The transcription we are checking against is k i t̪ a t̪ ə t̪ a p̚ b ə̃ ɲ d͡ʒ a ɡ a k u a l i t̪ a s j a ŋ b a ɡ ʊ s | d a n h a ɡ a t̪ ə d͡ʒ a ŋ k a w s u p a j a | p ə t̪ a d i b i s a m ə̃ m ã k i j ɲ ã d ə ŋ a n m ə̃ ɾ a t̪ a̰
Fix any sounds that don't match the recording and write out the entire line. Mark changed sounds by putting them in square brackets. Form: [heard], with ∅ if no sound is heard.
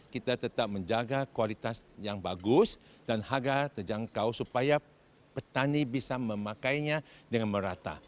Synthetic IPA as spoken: k i t̪ a t̪ ə t̪ a p̚ [m] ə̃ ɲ d͡ʒ a ɡ a k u a l i t̪ a s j a ŋ b a ɡ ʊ s | d a n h a ɡ a t̪ ə d͡ʒ a ŋ k a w s u p a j a | p ə t̪ a [n] i b i s a m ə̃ m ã k [a] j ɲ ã d ə ŋ a n m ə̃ ɾ a t̪ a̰